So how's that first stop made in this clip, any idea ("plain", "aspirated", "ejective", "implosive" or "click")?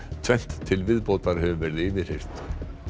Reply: aspirated